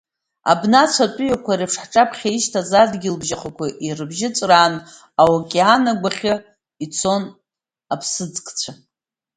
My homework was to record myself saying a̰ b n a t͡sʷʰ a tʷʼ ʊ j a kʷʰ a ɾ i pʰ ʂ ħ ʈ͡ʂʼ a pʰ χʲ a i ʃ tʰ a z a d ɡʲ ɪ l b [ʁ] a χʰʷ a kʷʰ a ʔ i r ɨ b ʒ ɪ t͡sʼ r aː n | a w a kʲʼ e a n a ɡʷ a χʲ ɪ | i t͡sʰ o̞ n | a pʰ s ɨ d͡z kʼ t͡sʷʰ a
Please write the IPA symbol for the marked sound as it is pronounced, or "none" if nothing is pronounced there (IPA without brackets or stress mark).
ʒ